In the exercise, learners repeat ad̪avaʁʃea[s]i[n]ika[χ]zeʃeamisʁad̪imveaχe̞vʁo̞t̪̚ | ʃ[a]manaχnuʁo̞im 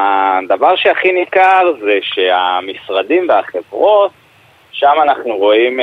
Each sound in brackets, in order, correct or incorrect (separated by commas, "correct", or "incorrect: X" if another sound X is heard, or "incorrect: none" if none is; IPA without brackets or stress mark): incorrect: χ, correct, incorrect: ʁ, correct